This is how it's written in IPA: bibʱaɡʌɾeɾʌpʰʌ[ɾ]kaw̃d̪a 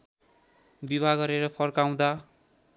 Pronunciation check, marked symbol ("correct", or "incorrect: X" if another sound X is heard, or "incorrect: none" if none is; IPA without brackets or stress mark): incorrect: r